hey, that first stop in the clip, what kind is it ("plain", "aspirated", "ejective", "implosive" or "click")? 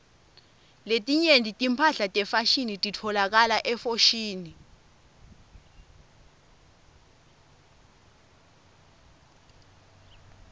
ejective